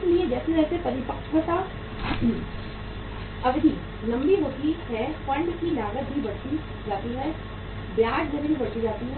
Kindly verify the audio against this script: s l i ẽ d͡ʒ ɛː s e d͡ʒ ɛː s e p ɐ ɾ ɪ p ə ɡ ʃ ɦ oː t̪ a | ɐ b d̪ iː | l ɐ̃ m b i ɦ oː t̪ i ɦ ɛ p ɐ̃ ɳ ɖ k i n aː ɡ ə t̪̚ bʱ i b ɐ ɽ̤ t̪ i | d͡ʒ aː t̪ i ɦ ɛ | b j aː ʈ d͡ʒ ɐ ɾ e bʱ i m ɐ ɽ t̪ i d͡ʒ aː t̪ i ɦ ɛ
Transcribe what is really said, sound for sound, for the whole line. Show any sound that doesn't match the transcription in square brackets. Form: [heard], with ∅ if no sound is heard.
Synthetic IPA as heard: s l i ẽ d͡ʒ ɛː s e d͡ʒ ɛː s e p ɐ ɾ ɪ p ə [k] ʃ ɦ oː t̪ a | ɐ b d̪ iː | l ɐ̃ m b i ɦ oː t̪ i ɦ ɛ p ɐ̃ ɳ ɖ k i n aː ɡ ə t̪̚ bʱ i b ɐ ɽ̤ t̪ i | d͡ʒ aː t̪ i ɦ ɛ | b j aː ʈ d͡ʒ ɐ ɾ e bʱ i [b] ɐ ɽ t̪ i d͡ʒ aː t̪ i ɦ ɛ